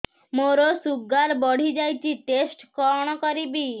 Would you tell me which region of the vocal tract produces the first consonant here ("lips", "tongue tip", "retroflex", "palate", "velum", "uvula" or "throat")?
lips